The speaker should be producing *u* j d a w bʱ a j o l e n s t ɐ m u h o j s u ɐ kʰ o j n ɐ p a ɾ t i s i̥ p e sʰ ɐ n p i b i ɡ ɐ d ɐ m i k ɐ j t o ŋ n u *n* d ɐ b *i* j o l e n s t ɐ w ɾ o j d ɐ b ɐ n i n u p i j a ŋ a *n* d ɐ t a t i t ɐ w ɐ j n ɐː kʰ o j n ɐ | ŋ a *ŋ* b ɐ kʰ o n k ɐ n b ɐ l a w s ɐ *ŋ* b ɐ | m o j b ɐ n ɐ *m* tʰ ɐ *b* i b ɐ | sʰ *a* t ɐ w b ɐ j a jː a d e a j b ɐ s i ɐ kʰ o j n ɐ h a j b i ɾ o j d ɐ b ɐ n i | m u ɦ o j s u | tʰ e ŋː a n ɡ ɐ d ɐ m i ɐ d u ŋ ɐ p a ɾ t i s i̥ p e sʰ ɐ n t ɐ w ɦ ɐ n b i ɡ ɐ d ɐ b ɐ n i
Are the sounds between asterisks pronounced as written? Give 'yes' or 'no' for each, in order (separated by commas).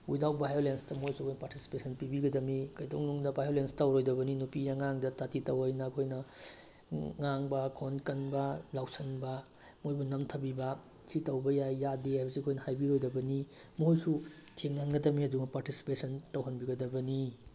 yes, no, no, no, yes, no, yes, yes, no